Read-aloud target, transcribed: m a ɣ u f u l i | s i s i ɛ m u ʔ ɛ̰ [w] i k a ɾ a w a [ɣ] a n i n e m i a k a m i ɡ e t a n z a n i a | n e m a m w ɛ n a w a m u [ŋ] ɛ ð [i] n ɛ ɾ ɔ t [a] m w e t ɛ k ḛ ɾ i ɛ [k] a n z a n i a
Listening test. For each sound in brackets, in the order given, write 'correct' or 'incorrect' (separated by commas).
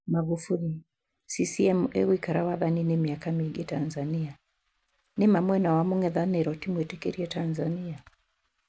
correct, incorrect, correct, incorrect, incorrect, incorrect